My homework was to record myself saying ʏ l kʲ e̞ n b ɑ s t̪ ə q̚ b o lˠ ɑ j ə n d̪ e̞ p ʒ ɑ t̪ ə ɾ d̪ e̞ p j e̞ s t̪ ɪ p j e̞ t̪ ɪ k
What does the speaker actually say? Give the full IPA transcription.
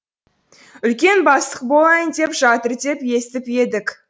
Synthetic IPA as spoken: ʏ l kʲ e̞ n b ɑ s t̪ ə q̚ b o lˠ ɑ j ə n d̪ e̞ p ʒ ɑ t̪ ə ɾ d̪ e̞ p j e̞ s t̪ ɪ p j e̞ d̪ ɪ k